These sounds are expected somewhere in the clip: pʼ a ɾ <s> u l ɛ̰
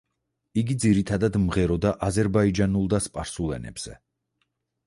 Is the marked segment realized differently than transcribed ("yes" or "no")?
no